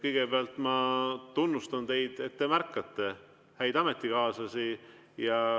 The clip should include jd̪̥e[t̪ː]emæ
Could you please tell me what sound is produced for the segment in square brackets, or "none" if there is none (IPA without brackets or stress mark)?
t̪ː